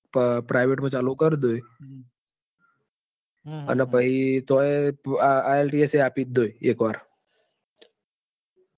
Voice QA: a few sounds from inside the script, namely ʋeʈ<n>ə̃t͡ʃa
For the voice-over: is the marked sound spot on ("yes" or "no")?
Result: no